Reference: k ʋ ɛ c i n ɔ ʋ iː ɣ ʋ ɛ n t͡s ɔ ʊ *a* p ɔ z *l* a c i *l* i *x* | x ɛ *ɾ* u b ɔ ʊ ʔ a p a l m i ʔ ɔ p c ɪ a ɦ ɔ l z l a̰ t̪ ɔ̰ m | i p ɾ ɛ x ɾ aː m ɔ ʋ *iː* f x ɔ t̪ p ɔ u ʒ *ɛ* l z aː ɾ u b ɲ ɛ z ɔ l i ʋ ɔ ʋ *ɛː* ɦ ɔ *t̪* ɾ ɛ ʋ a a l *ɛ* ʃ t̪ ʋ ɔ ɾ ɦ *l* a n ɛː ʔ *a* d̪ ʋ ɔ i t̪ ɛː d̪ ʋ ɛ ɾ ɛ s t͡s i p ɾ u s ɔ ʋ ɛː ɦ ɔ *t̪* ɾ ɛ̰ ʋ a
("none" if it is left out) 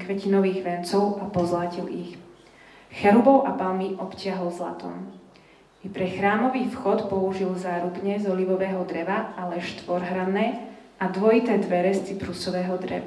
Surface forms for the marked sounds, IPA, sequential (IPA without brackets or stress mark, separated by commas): a, l, l, x, ɾ, iː, i, ɛː, d̪, ɛ, ɾ, a, d̪